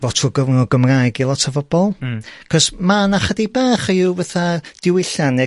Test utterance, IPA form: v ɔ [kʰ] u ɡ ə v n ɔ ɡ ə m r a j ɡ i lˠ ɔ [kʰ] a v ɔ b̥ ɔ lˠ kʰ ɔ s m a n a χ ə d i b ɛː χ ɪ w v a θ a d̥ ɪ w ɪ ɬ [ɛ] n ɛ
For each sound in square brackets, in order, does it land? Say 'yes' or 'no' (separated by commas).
no, no, no